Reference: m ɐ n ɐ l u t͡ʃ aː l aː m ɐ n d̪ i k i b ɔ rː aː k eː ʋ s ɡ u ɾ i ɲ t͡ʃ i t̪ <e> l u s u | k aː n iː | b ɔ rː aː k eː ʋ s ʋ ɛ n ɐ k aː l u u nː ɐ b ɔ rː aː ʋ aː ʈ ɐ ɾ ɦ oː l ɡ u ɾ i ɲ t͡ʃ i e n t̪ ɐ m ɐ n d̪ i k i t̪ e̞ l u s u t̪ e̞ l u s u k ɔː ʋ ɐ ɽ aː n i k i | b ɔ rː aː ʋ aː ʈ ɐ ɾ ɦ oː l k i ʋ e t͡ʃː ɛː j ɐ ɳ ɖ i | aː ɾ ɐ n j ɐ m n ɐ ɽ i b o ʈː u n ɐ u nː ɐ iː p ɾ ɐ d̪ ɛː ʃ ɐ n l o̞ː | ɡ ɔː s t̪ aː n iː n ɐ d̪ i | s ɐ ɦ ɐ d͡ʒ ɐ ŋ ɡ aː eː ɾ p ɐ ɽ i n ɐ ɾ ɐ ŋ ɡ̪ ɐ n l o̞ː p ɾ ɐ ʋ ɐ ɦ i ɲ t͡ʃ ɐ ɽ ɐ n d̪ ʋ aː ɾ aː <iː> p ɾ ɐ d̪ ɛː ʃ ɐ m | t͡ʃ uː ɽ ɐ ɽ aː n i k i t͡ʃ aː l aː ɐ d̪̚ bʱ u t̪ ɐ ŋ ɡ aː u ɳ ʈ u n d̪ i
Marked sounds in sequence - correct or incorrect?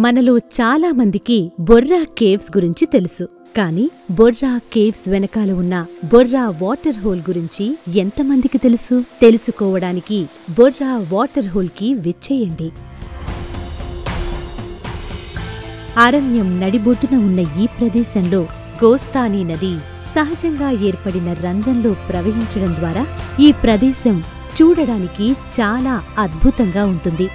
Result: correct, correct

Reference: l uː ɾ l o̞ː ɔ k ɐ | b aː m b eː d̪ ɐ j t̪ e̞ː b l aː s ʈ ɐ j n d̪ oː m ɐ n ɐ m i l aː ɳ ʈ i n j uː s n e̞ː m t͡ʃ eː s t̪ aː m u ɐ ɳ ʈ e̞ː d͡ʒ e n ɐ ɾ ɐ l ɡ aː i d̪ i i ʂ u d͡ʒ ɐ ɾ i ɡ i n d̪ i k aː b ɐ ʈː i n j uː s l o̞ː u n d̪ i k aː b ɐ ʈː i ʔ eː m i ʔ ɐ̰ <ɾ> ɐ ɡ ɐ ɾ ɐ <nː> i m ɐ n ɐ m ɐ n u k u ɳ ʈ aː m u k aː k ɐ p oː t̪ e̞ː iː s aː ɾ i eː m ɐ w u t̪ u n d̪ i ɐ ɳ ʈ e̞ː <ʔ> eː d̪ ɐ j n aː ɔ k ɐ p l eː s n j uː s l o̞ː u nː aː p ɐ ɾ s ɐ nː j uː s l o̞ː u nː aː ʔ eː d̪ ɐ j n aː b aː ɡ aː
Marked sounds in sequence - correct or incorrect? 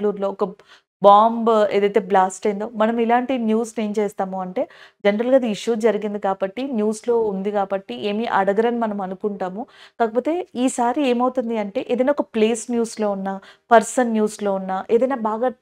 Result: incorrect: ɽ, incorrect: n, correct

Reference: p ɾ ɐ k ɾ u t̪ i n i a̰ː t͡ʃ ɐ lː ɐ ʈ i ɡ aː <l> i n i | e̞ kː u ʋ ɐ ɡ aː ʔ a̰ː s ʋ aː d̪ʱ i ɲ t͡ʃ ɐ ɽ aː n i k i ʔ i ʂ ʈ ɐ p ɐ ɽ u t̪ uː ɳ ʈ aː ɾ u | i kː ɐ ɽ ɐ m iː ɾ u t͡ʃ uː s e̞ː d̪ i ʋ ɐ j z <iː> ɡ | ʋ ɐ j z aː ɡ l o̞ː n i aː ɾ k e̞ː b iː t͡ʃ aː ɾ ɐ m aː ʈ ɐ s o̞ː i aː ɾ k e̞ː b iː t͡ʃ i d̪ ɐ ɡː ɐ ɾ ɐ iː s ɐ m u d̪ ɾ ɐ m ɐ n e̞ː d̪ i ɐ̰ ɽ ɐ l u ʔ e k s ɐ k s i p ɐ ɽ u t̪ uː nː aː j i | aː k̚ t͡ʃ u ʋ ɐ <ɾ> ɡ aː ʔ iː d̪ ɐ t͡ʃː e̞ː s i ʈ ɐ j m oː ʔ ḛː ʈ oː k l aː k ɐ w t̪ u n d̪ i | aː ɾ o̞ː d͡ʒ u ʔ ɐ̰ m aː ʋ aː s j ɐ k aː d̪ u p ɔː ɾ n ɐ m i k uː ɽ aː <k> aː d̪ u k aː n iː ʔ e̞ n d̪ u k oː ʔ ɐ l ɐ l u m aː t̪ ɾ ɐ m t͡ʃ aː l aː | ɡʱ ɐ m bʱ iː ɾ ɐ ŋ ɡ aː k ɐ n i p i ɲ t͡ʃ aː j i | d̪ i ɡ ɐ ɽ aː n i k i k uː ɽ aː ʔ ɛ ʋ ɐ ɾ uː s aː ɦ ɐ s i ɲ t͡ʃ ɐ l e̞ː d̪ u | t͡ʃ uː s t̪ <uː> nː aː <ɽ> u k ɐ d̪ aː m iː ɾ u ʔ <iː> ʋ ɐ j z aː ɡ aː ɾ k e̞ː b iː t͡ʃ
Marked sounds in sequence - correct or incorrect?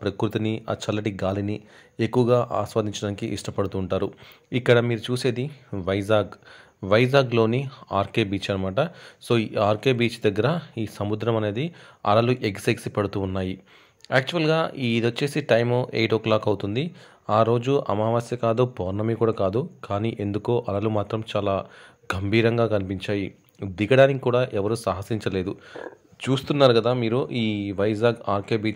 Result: correct, incorrect: aː, incorrect: l, correct, incorrect: u, incorrect: ɾ, correct

